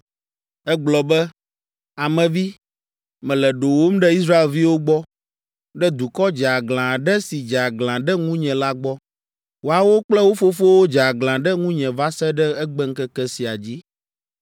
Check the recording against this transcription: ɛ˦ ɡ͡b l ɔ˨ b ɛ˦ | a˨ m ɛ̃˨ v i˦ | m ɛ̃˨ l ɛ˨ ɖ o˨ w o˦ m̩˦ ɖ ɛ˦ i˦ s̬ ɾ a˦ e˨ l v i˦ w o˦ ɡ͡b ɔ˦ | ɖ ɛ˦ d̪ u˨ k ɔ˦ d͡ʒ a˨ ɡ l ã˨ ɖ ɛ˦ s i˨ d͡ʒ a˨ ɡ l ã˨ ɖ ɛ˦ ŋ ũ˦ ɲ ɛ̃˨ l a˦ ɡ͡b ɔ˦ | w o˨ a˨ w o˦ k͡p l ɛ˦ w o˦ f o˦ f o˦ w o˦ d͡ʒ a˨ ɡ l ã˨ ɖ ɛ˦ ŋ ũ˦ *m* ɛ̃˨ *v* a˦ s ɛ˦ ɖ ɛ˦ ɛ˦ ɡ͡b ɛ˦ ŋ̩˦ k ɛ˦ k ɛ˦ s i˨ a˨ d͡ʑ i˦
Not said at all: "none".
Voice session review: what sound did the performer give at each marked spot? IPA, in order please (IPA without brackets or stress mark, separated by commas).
ɲ, v